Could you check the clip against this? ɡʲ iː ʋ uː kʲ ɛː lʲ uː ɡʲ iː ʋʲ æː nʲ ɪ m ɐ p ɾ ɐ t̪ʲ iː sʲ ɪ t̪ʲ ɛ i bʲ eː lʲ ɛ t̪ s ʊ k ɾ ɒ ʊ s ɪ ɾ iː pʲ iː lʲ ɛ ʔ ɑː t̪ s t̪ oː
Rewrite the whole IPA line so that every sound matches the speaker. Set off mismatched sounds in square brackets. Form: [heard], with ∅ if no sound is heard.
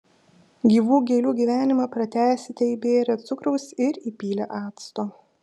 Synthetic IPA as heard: ɡʲ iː ʋ uː [ɡʲ] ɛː lʲ uː ɡʲ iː ʋʲ æː nʲ ɪ m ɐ p ɾ ɐ t̪ʲ [æː] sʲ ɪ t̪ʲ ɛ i bʲ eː [ɾʲ] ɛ t̪ s ʊ k ɾ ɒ ʊ s ɪ ɾ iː pʲ iː lʲ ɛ ʔ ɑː t̪ s t̪ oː